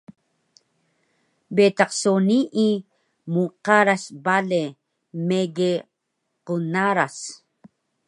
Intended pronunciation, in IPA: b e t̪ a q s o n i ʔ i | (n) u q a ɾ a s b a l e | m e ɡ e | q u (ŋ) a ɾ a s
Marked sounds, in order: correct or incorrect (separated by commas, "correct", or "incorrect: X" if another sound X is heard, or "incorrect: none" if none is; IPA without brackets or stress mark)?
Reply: incorrect: m, incorrect: n